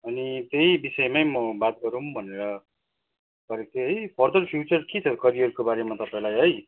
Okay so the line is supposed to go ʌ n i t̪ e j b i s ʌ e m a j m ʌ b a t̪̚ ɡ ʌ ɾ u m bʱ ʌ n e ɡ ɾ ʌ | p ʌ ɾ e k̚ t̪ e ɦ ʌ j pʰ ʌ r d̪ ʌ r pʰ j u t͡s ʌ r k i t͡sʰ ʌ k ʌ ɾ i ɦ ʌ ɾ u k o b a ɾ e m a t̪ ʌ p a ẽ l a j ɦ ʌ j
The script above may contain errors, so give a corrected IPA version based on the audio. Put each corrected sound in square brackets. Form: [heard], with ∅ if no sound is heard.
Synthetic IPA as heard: ʌ n i t̪ e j b i s ʌ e m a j m ʌ b a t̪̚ ɡ ʌ ɾ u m bʱ ʌ n e [∅] ɾ ʌ | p ʌ ɾ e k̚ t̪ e ɦ ʌ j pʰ ʌ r d̪ ʌ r pʰ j u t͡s ʌ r k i t͡sʰ ʌ k ʌ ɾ i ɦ ʌ ɾ u k o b a ɾ e m a t̪ ʌ p a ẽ l a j ɦ ʌ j